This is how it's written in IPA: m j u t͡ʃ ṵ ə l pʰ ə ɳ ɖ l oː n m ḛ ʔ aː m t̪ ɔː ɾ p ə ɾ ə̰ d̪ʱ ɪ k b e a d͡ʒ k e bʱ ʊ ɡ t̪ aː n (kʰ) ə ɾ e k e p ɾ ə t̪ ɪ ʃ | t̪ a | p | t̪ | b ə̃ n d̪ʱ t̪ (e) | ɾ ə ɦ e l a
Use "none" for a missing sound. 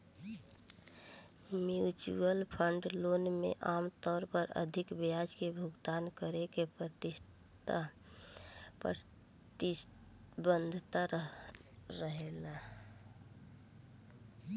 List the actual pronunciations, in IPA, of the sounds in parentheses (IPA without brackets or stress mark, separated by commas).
k, a